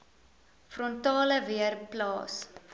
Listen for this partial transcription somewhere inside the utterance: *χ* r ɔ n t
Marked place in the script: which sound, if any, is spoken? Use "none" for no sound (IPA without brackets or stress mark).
f